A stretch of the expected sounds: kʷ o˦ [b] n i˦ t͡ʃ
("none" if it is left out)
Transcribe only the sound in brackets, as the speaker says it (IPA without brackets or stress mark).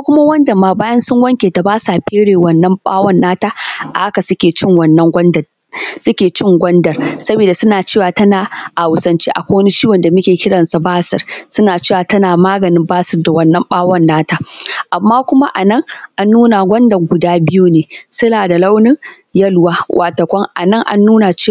w